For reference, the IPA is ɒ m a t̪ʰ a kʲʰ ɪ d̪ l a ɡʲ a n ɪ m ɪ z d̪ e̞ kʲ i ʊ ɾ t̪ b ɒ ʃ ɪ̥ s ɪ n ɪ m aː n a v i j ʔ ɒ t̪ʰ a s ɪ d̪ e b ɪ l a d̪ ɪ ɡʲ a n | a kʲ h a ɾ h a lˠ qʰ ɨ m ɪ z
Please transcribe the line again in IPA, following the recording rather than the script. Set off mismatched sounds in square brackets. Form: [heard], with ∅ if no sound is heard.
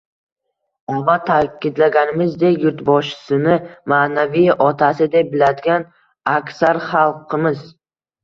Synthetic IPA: ɒ m a t̪ʰ a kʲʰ ɪ d̪ l a ɡʲ a n ɪ m ɪ z d̪ e̞ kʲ [j] ʊ ɾ t̪ b ɒ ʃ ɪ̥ s ɪ n ɪ m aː n a v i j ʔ ɒ t̪ʰ a s ɪ d̪ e b ɪ l a d̪ ɪ ɡʲ a n | a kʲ [s] a ɾ [χ] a lˠ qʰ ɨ m ɪ z